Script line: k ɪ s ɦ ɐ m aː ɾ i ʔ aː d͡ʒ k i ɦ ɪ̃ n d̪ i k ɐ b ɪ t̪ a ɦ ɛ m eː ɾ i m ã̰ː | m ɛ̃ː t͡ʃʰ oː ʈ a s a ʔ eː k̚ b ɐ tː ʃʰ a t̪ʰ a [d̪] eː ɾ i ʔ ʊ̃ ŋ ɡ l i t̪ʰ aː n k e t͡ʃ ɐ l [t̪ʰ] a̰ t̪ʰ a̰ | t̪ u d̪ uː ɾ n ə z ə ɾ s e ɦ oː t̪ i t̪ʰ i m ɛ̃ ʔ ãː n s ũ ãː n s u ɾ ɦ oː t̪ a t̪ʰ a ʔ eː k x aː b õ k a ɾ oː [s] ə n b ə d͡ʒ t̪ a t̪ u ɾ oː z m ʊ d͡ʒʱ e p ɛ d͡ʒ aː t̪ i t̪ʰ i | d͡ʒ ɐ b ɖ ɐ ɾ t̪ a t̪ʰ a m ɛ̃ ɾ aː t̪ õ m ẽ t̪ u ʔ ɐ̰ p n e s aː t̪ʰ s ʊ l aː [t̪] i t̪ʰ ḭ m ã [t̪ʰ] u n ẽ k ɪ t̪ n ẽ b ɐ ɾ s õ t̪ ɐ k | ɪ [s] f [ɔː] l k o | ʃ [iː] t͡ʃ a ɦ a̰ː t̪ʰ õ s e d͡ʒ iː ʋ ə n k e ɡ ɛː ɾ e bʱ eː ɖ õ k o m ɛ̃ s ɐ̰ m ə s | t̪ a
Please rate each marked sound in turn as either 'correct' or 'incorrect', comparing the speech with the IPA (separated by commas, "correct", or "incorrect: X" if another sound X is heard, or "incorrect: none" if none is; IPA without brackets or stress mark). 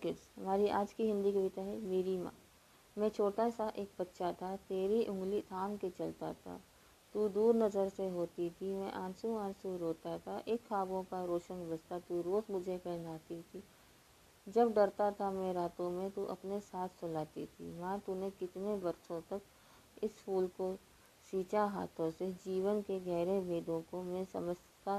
incorrect: t̪, incorrect: t̪, incorrect: ʃ, correct, incorrect: t̪, correct, incorrect: uː, correct